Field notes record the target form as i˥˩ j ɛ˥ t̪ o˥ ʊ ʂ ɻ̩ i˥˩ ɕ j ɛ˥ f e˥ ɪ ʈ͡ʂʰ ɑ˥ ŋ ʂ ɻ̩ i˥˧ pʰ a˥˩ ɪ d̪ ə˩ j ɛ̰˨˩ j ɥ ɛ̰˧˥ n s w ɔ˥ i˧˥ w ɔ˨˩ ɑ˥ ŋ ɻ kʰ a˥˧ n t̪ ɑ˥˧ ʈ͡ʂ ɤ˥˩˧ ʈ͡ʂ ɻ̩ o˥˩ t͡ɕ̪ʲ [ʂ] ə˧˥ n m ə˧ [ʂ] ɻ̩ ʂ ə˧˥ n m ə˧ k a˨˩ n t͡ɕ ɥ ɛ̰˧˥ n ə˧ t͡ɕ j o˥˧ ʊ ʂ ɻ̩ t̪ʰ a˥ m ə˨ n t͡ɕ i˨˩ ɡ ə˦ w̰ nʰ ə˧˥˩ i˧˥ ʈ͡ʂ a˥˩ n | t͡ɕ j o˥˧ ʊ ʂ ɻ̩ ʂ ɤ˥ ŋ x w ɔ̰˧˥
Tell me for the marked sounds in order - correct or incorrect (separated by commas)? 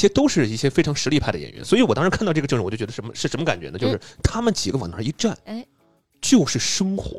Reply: correct, correct